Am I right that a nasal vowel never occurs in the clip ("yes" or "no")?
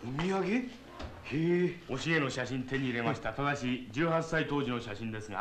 no